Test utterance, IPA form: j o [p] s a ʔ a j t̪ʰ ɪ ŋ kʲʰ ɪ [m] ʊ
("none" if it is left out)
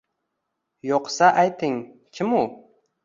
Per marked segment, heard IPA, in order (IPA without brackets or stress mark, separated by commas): q, m